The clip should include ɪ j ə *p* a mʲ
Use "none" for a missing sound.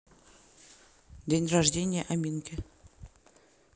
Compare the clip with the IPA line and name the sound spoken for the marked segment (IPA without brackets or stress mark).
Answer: ʔ